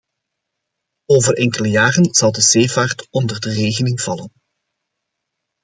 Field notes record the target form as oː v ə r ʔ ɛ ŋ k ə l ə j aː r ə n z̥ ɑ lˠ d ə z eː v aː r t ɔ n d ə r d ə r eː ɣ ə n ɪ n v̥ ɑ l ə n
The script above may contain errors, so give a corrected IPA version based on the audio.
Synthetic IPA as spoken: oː v ə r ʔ ɛ ŋ k ə l ə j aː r ə n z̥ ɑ lˠ d ə z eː v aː r t ɔ n d ə r d ə r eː ɣ ə n ɪ ŋ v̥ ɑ l ə n